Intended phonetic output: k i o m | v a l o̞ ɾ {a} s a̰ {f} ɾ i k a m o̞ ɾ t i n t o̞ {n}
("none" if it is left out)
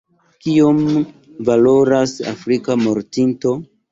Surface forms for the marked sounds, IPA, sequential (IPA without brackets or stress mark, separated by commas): a, f, none